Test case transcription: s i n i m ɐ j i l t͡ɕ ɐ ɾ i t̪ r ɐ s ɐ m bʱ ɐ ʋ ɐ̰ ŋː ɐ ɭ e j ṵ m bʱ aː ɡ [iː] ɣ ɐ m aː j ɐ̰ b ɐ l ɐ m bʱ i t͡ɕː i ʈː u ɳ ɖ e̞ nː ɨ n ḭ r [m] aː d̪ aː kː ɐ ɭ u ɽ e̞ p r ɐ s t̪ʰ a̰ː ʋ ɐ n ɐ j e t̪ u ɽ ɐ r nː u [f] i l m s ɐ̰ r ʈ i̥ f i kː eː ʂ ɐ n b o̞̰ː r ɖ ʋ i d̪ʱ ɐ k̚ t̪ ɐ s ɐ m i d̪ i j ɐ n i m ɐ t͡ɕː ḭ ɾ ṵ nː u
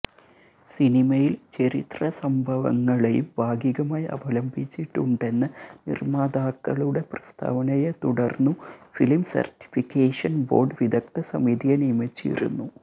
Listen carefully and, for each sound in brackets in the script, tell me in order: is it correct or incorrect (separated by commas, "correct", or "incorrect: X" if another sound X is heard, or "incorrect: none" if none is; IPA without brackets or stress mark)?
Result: incorrect: i, correct, correct